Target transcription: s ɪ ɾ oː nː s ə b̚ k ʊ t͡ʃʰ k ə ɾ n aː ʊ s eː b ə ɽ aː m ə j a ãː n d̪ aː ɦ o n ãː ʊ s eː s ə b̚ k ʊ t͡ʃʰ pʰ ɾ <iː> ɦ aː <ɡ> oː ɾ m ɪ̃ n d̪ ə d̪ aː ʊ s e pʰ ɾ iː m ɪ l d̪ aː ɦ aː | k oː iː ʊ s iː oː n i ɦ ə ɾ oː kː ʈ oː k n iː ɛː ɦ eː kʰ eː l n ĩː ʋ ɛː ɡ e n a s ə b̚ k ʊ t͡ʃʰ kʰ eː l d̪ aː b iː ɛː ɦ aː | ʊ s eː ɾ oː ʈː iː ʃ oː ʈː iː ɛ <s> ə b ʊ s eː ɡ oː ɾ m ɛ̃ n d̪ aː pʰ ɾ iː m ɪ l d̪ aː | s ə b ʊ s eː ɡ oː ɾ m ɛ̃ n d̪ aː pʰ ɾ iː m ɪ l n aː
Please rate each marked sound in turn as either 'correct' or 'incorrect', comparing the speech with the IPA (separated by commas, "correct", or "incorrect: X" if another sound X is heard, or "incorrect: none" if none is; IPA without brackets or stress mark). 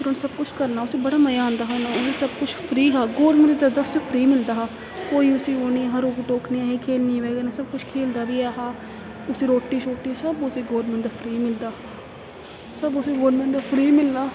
correct, correct, correct